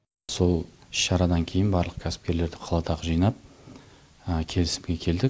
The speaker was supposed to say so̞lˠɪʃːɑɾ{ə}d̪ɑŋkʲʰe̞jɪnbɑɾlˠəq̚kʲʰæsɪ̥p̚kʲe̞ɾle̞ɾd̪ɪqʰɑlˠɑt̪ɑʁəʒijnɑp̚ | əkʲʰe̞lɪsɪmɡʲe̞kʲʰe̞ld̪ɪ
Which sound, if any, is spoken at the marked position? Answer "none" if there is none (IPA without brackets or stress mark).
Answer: ɑ